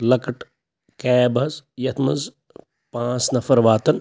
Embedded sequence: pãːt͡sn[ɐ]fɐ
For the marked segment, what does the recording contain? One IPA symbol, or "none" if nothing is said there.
ɐ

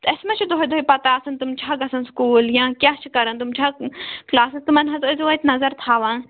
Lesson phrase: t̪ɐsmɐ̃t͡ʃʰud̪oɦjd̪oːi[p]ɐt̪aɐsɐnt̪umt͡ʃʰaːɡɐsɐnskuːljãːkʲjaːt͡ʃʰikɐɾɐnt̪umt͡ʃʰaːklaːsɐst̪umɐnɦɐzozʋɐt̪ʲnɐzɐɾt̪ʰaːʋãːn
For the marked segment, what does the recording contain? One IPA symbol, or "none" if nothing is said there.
p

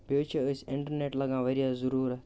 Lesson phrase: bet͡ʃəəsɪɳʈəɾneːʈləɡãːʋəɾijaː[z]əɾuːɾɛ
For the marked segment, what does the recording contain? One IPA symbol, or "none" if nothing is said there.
z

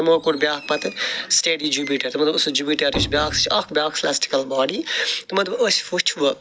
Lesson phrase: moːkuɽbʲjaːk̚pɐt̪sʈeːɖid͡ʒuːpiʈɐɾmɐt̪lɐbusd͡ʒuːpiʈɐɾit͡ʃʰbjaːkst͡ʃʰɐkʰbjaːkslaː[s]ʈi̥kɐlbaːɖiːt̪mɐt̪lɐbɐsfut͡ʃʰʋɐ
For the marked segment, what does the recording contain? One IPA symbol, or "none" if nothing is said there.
s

